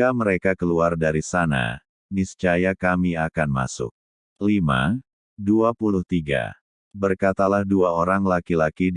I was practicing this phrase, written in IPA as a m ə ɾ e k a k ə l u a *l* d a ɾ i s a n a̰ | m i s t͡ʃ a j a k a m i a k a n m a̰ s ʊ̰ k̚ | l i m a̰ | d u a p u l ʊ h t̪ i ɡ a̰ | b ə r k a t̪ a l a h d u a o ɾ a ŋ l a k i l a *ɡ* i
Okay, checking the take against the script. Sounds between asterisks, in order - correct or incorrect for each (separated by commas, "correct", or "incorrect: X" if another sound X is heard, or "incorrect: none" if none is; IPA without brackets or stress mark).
incorrect: r, incorrect: k